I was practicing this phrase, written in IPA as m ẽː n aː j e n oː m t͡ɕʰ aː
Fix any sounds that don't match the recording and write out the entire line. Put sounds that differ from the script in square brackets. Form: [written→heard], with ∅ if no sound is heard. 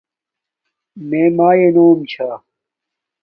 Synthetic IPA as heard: m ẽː [n→m] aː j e n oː m t͡ɕʰ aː